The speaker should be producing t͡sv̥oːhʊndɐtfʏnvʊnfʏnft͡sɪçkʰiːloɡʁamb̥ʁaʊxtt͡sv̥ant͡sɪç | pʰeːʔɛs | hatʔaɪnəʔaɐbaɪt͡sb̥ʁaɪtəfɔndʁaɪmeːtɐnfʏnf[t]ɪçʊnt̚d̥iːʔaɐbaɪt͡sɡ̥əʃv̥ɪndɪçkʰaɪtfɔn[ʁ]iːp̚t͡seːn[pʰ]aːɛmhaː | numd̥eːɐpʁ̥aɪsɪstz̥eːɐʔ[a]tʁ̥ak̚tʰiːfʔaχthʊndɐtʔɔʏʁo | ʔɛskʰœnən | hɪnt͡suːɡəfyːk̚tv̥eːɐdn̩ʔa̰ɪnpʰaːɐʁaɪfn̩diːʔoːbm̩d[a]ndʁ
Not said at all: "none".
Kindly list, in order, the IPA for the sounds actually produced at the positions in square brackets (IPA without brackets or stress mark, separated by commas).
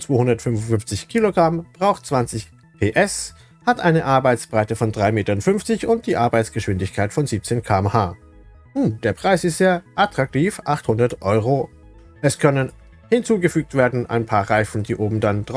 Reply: t͡s, z, kʰ, a, a